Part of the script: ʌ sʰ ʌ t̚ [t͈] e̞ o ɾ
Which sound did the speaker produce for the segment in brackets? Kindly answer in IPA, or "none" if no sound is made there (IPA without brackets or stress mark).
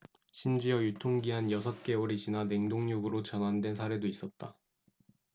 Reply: k͈